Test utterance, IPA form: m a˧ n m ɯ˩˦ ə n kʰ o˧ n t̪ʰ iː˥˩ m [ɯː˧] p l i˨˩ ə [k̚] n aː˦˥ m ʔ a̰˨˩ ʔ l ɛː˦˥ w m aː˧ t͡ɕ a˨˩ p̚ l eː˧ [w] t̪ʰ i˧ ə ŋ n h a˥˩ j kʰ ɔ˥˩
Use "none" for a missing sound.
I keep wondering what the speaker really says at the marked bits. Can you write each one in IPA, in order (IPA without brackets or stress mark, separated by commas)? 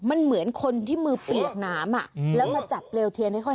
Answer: ɯː˧, k̚, w